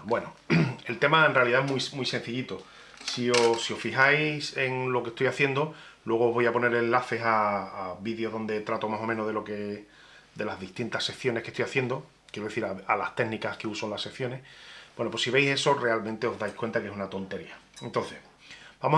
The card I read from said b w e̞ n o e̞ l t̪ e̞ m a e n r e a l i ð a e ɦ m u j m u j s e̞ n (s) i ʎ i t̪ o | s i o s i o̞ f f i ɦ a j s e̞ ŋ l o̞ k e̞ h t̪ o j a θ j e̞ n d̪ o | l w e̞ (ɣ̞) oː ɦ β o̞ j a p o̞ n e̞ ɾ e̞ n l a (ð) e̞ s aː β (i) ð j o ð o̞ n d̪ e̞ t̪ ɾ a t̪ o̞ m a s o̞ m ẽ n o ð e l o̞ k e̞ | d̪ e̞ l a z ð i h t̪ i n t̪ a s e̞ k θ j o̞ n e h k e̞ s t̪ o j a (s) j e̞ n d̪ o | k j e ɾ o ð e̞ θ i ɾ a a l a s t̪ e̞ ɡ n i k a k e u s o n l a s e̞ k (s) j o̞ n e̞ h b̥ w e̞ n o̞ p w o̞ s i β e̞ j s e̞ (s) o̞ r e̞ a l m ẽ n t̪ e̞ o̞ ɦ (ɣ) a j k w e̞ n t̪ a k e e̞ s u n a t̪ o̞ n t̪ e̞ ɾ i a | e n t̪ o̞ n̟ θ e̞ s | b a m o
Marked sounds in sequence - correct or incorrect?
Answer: incorrect, correct, incorrect, correct, incorrect, incorrect, correct, incorrect

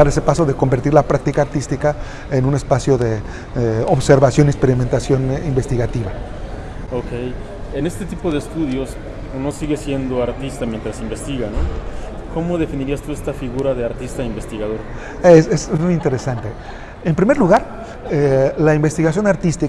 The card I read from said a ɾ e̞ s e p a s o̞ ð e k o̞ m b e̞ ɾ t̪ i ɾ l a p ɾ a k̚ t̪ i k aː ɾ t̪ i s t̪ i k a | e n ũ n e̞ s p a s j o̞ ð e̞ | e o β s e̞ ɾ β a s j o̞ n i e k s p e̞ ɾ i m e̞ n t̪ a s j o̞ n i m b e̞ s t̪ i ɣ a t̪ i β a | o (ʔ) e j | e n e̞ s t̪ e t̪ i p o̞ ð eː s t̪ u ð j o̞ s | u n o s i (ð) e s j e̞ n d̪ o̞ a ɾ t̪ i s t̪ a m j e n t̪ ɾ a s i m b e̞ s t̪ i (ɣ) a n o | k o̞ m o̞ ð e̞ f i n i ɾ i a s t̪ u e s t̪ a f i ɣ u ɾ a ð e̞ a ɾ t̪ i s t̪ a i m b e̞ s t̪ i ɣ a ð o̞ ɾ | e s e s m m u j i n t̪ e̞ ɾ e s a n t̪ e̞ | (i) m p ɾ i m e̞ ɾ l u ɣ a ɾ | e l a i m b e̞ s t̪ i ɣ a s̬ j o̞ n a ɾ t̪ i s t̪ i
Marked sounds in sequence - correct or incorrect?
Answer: incorrect, incorrect, correct, incorrect

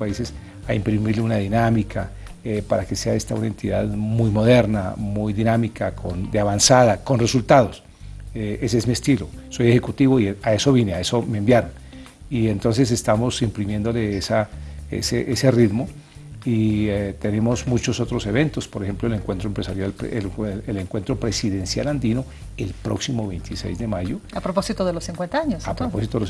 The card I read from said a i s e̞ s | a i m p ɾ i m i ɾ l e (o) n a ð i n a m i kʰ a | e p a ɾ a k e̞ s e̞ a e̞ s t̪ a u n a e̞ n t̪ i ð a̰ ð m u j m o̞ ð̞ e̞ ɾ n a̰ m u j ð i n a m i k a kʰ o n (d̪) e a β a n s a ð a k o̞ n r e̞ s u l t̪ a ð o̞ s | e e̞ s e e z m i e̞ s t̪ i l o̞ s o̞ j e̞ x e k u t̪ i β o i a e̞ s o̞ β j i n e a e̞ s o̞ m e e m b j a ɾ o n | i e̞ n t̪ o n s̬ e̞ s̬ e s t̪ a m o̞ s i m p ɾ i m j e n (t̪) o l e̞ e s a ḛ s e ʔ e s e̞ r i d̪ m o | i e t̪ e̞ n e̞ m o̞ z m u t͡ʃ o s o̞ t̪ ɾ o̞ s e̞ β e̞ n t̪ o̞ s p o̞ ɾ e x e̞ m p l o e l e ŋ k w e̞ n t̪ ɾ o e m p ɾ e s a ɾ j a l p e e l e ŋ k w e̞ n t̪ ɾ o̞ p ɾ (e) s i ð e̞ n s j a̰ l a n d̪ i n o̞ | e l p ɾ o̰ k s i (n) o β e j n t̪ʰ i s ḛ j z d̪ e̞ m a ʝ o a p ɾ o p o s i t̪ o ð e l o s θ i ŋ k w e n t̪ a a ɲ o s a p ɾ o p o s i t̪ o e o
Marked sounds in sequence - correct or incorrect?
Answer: incorrect, correct, incorrect, correct, incorrect

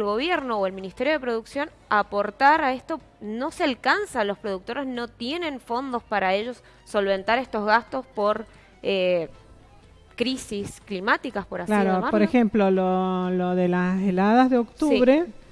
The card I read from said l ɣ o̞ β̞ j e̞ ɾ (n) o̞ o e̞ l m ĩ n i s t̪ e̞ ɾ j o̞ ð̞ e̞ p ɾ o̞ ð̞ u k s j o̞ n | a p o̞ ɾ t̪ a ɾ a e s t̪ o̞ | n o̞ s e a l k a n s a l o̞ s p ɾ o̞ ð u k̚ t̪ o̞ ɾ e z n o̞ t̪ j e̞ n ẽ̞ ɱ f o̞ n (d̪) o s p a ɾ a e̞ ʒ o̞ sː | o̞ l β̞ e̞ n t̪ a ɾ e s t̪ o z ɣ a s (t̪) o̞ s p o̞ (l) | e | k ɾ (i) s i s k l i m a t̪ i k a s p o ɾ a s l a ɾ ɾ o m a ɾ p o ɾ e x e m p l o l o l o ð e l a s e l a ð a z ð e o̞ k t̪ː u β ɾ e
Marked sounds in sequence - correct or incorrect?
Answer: correct, correct, correct, incorrect, correct

